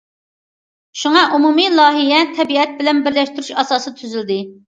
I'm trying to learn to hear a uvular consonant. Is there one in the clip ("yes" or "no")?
no